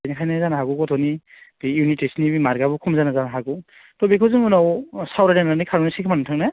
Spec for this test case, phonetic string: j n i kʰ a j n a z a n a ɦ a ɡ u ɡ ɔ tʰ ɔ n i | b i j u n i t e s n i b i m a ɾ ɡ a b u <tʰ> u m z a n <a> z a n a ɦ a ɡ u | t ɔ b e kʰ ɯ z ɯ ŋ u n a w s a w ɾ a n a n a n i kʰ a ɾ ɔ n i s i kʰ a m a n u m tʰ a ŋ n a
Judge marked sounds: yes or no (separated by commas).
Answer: no, yes